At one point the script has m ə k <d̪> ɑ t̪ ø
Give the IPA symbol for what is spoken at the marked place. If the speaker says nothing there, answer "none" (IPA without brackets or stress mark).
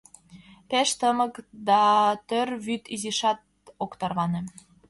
d̪